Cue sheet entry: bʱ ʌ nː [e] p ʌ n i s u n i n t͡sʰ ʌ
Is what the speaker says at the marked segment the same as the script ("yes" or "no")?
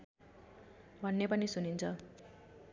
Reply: yes